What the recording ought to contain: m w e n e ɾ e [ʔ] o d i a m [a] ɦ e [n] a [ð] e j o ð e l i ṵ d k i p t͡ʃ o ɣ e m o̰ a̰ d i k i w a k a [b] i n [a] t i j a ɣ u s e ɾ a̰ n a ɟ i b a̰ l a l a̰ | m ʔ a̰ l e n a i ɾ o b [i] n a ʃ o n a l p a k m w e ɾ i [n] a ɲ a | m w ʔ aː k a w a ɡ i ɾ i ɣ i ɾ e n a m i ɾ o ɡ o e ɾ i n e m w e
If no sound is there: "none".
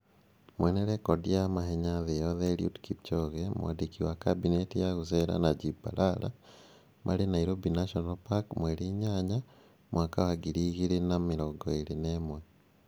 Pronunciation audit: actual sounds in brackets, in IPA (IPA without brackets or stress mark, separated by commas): k, a, ɲ, ð, b, e, i, ɲ